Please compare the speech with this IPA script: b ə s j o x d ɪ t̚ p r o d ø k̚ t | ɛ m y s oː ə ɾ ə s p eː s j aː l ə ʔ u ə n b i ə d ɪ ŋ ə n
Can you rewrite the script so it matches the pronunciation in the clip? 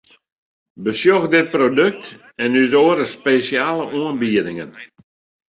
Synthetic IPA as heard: b ə s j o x d ɪ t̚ p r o d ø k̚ t | ɛ n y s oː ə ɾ ə s p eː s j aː l ə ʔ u ə n b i ə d ɪ ŋ ə n